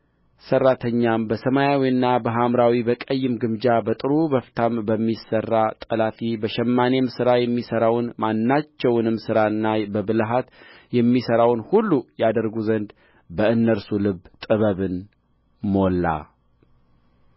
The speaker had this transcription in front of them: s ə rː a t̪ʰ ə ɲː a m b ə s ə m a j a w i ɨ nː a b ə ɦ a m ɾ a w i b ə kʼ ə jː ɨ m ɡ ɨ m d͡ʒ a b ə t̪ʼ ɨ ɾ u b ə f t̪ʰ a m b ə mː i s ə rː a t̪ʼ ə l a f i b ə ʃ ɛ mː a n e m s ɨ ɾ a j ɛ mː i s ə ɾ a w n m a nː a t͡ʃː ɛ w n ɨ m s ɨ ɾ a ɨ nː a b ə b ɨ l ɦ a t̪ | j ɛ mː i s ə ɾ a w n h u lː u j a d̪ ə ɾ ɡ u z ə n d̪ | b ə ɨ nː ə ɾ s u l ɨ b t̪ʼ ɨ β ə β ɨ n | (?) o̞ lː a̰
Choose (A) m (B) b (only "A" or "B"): A